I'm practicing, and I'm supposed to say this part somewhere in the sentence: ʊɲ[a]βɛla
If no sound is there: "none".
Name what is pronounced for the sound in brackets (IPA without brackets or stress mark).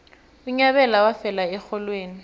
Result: a